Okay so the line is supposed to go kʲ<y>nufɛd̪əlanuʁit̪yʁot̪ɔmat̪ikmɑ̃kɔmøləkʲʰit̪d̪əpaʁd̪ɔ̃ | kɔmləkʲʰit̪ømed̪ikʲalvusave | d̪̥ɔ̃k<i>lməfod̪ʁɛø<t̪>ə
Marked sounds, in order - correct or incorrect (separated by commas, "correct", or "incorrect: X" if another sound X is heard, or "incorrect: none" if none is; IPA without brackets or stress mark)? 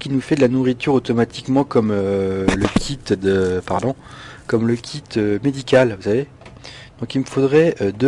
incorrect: i, correct, incorrect: d̪